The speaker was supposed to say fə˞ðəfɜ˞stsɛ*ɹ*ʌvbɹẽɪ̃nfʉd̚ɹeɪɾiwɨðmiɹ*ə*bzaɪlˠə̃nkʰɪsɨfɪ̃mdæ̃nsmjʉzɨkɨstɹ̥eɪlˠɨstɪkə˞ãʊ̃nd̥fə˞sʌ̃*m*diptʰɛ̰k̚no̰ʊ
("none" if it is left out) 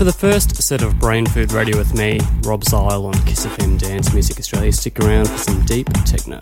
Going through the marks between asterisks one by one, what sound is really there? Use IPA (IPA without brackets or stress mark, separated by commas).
ɾ, ɑ, m